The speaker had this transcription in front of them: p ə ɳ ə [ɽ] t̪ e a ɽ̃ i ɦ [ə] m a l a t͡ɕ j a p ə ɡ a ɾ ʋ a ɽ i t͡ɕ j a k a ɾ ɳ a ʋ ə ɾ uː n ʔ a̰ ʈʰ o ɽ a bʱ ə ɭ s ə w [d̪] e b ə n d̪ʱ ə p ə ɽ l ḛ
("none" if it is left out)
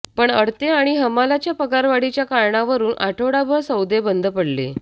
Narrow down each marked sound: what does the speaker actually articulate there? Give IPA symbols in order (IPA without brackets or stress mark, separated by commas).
ɽ, ə, d̪